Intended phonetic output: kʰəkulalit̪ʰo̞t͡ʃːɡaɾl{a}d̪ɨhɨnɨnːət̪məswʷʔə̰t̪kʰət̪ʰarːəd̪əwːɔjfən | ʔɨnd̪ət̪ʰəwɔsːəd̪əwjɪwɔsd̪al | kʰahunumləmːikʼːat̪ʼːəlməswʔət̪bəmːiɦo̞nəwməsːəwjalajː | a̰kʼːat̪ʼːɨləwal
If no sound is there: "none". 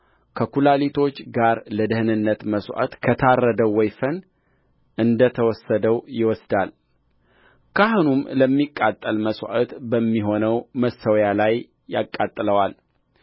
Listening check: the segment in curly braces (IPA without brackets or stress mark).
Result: ə